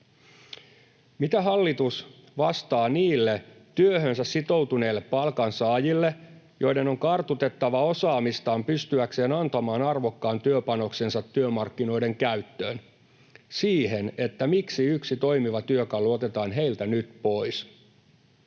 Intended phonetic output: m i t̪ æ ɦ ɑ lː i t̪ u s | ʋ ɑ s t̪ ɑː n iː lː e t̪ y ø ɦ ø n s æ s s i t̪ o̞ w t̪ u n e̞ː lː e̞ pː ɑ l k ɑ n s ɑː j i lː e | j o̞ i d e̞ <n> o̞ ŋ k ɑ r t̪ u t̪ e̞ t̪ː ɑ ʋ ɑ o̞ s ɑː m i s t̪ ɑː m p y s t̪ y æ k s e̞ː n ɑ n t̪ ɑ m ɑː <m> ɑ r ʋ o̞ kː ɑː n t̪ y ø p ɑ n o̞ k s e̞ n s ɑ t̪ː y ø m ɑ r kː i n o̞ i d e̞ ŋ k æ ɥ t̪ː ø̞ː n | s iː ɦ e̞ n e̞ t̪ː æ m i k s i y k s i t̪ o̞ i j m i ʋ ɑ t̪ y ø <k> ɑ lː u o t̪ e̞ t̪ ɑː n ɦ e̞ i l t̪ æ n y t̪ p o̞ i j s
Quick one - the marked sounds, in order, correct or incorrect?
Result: correct, incorrect: n, correct

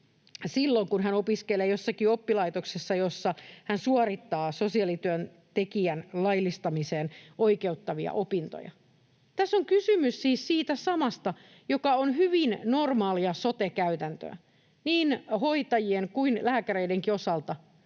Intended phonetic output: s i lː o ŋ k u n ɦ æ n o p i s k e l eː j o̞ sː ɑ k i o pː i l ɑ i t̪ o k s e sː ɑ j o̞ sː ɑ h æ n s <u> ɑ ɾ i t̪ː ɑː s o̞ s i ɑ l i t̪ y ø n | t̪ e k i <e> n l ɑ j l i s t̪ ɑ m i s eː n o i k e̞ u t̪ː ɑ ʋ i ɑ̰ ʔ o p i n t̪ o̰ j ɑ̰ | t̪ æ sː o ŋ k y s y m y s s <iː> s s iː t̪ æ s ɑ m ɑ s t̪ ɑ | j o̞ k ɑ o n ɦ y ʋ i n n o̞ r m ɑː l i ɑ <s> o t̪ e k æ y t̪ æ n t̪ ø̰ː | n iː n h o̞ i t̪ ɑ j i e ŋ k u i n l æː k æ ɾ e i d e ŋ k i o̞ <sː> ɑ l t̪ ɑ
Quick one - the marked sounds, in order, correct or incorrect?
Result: correct, incorrect: æ, correct, correct, incorrect: s

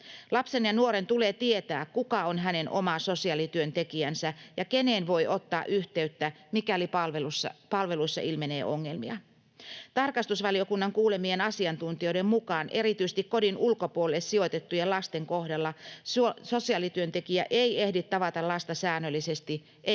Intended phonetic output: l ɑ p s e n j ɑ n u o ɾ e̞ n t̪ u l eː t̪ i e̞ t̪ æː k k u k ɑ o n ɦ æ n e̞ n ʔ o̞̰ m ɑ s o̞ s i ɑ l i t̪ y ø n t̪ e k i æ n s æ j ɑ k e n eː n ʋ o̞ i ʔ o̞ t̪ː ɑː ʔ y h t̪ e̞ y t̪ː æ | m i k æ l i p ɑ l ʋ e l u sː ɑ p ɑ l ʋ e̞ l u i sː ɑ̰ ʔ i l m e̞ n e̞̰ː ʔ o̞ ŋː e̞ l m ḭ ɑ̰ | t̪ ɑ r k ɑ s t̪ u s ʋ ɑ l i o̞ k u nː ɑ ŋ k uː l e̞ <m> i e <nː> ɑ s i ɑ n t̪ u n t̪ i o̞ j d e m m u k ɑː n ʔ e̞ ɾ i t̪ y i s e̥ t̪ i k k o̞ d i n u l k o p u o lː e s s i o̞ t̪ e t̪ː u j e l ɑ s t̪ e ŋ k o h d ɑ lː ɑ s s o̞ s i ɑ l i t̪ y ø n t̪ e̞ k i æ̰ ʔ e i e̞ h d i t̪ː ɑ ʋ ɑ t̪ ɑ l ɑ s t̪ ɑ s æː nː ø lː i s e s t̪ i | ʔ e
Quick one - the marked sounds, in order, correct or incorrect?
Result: correct, incorrect: n

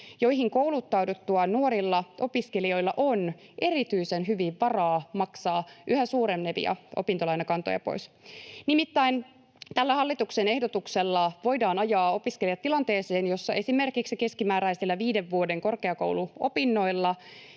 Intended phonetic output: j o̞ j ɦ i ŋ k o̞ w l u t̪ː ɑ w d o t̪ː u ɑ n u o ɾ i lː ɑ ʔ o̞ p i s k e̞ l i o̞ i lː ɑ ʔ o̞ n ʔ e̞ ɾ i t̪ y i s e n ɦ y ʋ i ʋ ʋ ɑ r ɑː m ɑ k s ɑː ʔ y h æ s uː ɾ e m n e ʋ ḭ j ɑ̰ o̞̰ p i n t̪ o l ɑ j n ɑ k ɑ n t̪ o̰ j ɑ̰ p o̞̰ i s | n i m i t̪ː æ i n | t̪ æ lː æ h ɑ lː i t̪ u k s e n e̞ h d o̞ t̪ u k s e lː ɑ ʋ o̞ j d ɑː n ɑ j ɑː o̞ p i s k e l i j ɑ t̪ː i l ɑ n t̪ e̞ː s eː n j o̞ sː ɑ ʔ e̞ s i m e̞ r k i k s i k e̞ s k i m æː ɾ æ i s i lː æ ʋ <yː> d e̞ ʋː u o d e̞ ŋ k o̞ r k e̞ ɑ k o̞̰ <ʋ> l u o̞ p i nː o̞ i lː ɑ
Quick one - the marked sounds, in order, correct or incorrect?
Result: incorrect: iː, incorrect: w

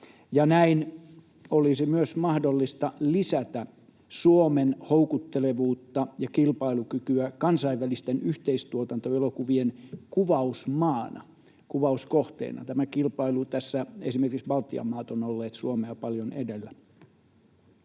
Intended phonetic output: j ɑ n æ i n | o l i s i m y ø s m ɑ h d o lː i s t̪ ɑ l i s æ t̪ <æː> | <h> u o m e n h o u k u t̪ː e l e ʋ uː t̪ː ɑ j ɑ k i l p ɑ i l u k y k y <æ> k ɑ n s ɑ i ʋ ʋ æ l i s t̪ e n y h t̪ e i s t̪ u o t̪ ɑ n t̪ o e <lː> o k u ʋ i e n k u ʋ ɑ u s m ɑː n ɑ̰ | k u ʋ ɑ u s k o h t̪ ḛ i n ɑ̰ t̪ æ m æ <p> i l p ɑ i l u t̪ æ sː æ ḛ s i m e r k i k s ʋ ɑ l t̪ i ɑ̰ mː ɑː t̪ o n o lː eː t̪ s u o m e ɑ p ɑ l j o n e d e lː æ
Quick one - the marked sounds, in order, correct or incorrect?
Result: incorrect: æ, incorrect: s, correct, incorrect: l, incorrect: k

